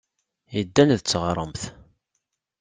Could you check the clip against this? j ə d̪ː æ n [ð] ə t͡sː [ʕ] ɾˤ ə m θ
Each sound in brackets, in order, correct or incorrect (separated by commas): correct, incorrect